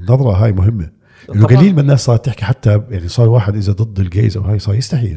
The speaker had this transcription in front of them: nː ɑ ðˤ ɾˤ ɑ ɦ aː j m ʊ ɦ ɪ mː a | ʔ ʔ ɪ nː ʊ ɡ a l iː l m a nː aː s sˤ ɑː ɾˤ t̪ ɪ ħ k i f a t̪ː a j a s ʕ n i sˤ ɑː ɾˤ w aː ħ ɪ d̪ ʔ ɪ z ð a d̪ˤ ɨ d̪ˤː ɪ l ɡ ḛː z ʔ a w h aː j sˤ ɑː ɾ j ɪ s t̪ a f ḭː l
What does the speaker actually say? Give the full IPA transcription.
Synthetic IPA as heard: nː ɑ ðˤ ɾˤ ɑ ɦ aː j m ʊ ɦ ɪ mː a | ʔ ʔ ɪ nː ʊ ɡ a l iː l m a nː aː s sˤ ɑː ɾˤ t̪ ɪ ħ k i ħ a t̪ː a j a ʕ n i sˤ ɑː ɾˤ w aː ħ ɪ d̪ ʔ ɪ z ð a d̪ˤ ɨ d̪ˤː ɪ l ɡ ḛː z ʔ a w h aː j sˤ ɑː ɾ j ɪ s t̪ a ħ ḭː l